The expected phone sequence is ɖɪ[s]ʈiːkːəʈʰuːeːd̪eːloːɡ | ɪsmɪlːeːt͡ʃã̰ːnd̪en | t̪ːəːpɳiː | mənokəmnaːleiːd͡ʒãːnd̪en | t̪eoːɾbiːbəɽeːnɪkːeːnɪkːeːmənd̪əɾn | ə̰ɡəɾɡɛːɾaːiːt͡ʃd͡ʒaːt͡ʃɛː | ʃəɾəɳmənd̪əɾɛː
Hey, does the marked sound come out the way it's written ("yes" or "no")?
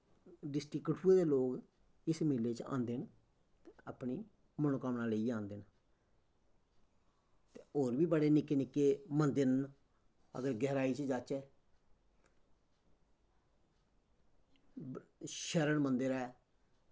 yes